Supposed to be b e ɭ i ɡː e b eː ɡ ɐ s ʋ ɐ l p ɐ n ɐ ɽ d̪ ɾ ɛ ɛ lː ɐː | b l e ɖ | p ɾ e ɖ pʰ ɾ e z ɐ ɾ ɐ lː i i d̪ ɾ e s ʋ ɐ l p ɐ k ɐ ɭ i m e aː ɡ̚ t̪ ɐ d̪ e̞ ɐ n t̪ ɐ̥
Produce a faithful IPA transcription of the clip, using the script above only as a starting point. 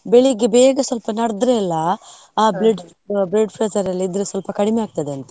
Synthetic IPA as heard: b e ɭ i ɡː e b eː ɡ ɐ s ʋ ɐ l p ɐ n ɐ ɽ d̪ ɾ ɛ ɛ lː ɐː | b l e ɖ | b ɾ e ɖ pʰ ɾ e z ɐ ɾ ɐ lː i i d̪ ɾ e s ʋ ɐ l p ɐ k ɐ ɽ i m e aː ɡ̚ t̪ ɐ d̪ e̞ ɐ n t̪ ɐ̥